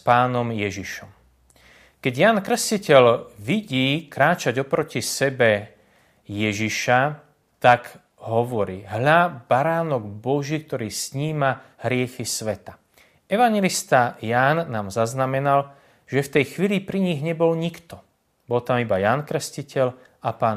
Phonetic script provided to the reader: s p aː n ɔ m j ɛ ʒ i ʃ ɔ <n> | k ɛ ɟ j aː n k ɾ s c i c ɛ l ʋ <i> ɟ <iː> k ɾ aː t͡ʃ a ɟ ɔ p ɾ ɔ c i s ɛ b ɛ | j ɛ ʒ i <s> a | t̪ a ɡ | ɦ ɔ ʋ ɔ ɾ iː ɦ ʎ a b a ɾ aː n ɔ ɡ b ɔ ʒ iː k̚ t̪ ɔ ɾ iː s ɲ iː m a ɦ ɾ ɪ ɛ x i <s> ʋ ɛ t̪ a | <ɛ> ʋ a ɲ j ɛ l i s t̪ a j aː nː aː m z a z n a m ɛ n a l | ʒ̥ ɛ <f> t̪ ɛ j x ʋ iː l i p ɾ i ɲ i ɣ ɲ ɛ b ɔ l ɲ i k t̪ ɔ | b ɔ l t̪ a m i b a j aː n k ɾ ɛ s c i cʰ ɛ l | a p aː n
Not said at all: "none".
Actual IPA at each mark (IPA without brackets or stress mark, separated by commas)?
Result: m, i, iː, ʃ, s, ɛ, f